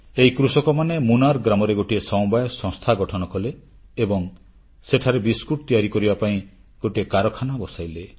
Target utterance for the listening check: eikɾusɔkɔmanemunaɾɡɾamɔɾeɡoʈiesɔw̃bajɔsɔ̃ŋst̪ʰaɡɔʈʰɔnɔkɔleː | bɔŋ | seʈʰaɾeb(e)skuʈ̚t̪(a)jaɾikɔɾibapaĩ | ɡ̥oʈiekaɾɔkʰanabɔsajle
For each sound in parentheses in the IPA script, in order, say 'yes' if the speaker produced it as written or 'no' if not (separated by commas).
no, no